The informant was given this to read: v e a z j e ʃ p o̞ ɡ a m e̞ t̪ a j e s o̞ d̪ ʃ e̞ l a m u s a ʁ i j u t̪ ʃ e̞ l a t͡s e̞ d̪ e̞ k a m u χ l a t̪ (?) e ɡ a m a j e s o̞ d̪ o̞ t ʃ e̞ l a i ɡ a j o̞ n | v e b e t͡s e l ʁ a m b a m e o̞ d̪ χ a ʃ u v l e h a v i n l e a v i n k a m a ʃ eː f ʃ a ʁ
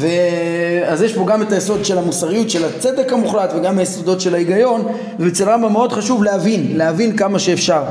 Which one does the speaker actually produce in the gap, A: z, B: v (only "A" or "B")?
B